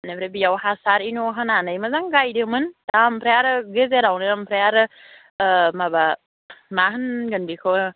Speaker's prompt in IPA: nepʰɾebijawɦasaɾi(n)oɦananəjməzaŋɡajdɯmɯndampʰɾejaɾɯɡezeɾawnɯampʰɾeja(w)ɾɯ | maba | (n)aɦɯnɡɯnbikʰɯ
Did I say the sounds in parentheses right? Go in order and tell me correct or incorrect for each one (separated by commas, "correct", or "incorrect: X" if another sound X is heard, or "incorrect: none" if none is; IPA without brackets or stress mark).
correct, incorrect: none, incorrect: m